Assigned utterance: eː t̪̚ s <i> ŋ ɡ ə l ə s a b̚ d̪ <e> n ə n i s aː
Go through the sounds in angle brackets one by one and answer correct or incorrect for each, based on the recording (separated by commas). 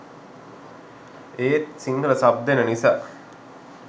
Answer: correct, correct